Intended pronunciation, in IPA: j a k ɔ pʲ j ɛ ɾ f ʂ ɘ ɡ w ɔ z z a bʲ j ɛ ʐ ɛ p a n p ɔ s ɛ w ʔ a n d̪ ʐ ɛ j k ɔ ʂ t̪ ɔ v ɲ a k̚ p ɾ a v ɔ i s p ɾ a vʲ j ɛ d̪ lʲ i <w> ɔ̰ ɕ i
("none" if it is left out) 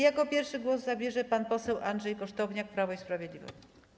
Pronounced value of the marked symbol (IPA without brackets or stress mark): v